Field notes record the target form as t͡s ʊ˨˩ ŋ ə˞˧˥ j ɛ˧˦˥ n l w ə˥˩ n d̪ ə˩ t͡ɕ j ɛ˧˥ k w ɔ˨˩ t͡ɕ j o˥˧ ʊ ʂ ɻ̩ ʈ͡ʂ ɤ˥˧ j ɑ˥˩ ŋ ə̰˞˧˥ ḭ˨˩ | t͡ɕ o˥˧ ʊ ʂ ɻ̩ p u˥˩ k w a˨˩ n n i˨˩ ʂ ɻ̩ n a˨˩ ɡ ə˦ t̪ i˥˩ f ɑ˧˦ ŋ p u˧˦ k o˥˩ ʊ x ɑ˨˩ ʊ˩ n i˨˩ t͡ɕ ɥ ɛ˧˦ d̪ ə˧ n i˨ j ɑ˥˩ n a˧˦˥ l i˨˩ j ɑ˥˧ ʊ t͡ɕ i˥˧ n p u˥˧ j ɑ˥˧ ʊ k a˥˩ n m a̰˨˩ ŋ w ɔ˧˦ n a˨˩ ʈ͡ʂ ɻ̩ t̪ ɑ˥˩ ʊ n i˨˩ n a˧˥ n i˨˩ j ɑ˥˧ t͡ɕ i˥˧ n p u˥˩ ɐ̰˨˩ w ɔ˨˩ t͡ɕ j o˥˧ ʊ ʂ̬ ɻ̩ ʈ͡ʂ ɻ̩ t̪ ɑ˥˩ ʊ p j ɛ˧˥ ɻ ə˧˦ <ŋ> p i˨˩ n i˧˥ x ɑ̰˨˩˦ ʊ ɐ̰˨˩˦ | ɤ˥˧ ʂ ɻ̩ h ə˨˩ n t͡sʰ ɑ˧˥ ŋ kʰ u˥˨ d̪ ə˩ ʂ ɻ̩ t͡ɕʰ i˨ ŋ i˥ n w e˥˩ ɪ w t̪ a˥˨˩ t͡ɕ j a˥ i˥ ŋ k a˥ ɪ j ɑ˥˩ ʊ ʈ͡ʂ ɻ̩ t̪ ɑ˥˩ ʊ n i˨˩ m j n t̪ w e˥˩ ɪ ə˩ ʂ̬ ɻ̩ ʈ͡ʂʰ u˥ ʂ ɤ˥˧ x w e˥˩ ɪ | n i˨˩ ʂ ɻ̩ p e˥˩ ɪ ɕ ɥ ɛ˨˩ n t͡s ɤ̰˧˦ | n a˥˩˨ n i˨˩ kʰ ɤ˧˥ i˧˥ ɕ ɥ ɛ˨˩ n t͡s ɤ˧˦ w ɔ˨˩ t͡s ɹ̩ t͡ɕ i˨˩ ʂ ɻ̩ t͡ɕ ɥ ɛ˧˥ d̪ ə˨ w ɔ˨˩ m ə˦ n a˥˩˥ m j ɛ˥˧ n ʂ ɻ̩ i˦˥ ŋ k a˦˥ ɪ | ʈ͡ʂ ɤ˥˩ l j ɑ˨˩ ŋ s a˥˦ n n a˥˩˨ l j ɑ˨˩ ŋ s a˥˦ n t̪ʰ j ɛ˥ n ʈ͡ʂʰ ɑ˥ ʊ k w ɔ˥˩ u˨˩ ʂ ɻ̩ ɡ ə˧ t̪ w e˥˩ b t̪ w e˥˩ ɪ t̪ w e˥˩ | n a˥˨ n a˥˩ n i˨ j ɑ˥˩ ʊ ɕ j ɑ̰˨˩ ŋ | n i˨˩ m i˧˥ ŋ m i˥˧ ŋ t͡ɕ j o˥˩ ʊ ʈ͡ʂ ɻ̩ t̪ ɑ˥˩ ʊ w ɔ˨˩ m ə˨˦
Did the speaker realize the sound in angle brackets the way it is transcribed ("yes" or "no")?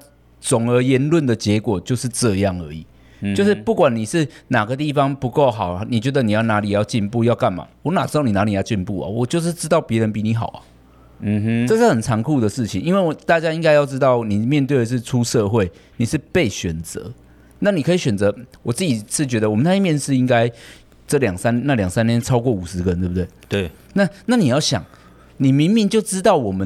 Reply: no